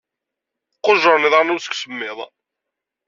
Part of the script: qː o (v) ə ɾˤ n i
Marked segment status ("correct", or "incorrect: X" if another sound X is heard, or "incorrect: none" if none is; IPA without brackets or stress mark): incorrect: ʒ